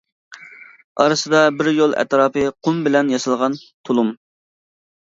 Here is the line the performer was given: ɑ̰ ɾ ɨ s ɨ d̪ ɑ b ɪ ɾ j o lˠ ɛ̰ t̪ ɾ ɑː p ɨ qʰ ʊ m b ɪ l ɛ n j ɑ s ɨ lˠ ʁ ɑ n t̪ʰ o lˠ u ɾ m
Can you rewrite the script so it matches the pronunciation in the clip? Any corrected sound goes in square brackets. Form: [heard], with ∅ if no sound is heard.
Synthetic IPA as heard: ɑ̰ ɾ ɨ s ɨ d̪ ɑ b ɪ ɾ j o lˠ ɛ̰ t̪ ɾ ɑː p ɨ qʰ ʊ m b ɪ l ɛ n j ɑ s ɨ lˠ ʁ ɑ n t̪ʰ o lˠ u [∅] m